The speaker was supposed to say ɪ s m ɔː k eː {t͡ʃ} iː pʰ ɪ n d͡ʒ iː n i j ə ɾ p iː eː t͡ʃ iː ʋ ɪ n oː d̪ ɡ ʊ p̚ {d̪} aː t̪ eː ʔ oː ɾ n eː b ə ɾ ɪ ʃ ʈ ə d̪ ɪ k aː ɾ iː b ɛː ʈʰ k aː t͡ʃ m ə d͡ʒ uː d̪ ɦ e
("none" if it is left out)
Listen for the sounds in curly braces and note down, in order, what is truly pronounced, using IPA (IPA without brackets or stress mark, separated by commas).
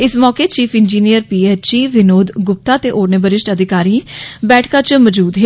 t͡ʃ, t̪